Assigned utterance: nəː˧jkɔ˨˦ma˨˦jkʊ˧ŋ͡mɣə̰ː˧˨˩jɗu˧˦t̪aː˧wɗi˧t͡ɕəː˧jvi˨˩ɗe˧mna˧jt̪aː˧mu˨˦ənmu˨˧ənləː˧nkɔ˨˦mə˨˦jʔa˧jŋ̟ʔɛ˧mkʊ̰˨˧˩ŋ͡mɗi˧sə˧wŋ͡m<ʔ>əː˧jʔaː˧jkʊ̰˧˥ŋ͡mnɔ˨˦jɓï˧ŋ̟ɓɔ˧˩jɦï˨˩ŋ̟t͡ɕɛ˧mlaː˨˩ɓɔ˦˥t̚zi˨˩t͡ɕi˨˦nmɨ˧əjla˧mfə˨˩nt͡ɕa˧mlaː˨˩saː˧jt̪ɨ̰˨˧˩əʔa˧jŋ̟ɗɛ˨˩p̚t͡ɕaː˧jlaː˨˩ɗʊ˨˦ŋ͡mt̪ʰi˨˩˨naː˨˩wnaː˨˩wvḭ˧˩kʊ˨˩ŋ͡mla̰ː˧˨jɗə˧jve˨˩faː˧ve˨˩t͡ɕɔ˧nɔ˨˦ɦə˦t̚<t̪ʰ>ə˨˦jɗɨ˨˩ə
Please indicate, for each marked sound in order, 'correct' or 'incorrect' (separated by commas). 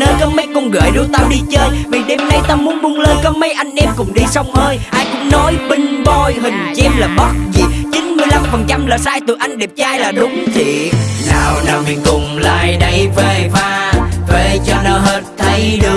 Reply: correct, correct